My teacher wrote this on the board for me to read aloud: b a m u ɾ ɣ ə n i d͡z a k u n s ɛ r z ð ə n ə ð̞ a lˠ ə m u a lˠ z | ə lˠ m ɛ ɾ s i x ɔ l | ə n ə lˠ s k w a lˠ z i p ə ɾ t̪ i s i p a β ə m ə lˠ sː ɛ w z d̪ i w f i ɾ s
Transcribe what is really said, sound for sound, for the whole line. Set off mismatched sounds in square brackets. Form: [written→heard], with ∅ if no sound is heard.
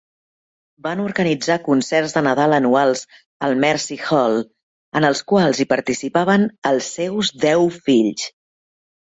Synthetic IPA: b a [m→n] u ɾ ɣ ə n i d͡z a k u n s ɛ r z ð ə n ə ð̞ a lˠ ə [m→n] u a lˠ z | ə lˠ m ɛ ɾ s i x ɔ l | ə n ə lˠ s k w a lˠ z i p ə ɾ t̪ i s i p a β ə [m→n] ə lˠ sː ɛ w z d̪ [i→ɛ] w f i [ɾ→ʎ] s

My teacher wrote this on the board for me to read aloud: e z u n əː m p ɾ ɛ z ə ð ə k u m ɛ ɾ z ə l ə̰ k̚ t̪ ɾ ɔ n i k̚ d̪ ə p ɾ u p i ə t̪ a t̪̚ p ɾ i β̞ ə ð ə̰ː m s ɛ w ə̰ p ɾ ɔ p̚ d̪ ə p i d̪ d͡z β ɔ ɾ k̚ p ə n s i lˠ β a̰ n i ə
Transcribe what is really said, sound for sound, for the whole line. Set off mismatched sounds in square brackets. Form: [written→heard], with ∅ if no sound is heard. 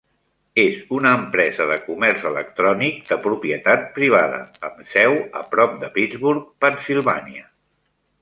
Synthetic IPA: e z u n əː m p ɾ ɛ z ə ð ə k u m ɛ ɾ z ə l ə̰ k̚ t̪ ɾ ɔ n i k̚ d̪ ə p ɾ u p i ə t̪ a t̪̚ p ɾ i β̞ [ə→a] ð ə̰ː m s ɛ w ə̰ p ɾ ɔ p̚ d̪ ə p i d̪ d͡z β [ɔ→u] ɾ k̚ p ə n s i lˠ β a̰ n i ə

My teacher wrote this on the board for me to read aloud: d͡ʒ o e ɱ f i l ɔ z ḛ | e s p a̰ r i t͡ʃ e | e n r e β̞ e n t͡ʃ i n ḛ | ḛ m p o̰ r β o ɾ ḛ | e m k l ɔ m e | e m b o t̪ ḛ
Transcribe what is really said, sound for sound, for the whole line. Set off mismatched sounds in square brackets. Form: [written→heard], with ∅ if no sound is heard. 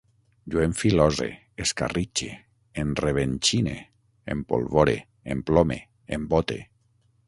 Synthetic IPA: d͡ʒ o e ɱ f i l ɔ z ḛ | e s [p→k] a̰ r i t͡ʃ e | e n r e β̞ e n t͡ʃ i n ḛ | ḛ m p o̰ [r→l] β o ɾ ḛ | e m [k→p] l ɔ m e | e m b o t̪ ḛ

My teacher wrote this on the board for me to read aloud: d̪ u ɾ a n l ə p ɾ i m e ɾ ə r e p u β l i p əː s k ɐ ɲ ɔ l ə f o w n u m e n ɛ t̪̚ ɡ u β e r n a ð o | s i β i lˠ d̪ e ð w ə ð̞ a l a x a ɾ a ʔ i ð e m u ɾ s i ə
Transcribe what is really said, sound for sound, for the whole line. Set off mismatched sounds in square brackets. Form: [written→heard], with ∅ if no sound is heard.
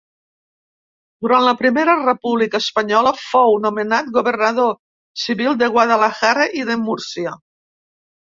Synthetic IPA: d̪ u ɾ a n l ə p ɾ i m e ɾ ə r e p u β l i [p→k] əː s [k→p] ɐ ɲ ɔ l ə f o w n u m e n [ɛ→a] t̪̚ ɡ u β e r n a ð o | s i β i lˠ d̪ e [ð→ɣ] w [ə→a] ð̞ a l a x a ɾ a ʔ i ð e m u ɾ s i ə

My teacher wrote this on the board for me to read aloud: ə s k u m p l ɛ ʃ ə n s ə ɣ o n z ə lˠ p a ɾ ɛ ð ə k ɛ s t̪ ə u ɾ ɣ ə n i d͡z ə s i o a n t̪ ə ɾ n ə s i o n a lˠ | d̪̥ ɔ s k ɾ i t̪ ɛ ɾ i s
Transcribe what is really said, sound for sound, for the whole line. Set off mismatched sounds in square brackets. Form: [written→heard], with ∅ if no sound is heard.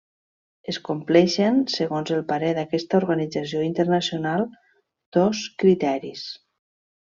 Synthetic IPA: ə s k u m p l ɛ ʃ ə n s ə ɣ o n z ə lˠ p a ɾ ɛ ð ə k ɛ s t̪ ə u ɾ ɣ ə n i d͡z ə s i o [a→i] n t̪ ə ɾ n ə s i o n a lˠ | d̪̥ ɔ s k ɾ i t̪ ɛ ɾ i s

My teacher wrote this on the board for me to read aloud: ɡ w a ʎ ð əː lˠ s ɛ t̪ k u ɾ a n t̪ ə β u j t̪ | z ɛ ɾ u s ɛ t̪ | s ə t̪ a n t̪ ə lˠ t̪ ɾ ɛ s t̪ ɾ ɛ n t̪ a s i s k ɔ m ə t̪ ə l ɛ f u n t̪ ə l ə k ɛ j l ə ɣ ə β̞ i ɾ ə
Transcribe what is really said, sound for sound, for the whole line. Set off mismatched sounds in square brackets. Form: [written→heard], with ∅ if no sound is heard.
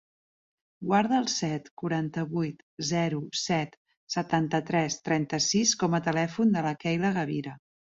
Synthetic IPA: ɡ w a [ʎ→ɾ] ð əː lˠ s ɛ t̪ k u ɾ a n t̪ ə β u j t̪ | z ɛ ɾ u s ɛ t̪ | s ə t̪ a n t̪ ə [lˠ→∅] t̪ ɾ ɛ s t̪ ɾ ɛ n t̪ [a→ə] s i s k ɔ m ə t̪ ə l ɛ f u n [t̪→d̪] ə l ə k ɛ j l ə ɣ ə β̞ i ɾ ə

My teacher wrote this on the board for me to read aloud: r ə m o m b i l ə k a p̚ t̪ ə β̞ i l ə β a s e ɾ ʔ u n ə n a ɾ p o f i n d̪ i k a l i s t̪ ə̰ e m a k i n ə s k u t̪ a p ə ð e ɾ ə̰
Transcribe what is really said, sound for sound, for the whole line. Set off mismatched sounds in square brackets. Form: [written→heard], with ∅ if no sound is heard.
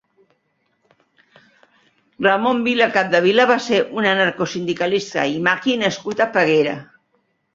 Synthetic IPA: r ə m o m b i l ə k a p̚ [t̪→d̪] ə β̞ i l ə β a s e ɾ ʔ u n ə n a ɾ [p→k] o [f→s] i n d̪ i k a l i s t̪ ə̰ [e→i] m a k i n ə s k u t̪ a p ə [ð→ɣ] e ɾ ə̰

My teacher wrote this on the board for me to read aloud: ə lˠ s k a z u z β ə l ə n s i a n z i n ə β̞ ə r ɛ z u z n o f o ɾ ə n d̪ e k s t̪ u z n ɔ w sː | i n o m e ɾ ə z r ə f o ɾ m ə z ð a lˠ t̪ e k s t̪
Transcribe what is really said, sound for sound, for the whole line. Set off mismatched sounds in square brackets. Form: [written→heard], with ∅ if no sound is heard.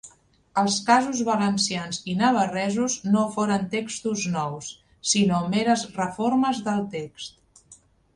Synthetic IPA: ə lˠ s k a z u z β ə l ə n s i a n z i n ə β̞ ə r ɛ z u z n o f o ɾ ə n [d̪→t̪] e k s t̪ u z n ɔ w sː | i n o m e ɾ ə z r ə f o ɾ m ə z ð [a→ə] lˠ t̪ e k s t̪

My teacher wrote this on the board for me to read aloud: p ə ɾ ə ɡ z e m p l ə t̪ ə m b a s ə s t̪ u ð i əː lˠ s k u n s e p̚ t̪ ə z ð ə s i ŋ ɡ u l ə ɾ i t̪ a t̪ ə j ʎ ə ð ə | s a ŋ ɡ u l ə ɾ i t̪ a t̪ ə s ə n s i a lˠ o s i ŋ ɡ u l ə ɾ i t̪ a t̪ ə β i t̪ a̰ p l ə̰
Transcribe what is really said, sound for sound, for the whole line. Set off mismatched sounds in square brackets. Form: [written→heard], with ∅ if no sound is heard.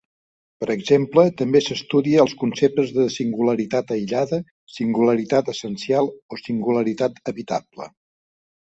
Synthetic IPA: p ə ɾ ə ɡ z e m p l ə t̪ ə m b [a→e] s ə s t̪ u ð i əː lˠ s k u n s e p̚ t̪ ə z ð ə s i ŋ ɡ u l ə ɾ i t̪ a t̪ ə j ʎ [ə→a] ð ə | s [a→i] ŋ ɡ u l ə ɾ i t̪ a t̪ ə s ə n s i a lˠ o s i ŋ ɡ u l ə ɾ i t̪ a t̪ ə β i t̪ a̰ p l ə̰

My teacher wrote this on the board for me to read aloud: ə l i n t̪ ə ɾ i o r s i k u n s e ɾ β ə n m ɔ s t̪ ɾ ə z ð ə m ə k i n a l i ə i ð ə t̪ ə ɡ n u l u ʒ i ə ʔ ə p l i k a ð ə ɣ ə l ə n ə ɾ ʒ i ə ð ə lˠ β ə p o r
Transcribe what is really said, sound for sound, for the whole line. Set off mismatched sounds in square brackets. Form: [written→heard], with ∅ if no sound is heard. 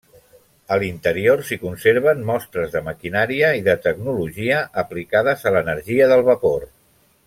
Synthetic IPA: ə l i n t̪ ə ɾ i o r s i k u n s e ɾ β ə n m ɔ s t̪ ɾ ə z ð ə m ə k i n a [l→ɾ] i ə i ð ə t̪ ə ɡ n u l u ʒ i ə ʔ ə p l i k a ð ə [ɣ→z] ə l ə n ə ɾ ʒ i ə ð ə lˠ β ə p o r

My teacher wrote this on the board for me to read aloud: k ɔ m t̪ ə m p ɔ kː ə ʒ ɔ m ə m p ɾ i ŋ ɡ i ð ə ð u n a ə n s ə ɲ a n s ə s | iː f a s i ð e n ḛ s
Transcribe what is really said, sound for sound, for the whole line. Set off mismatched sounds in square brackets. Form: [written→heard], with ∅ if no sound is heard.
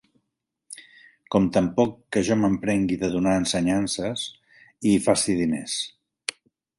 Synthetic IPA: k ɔ m t̪ ə m p ɔ kː ə ʒ ɔ m ə m p ɾ [i→ɛ] ŋ ɡ i ð ə ð u n a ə n s ə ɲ a n s ə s | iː f a s i ð [e→i] n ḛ s

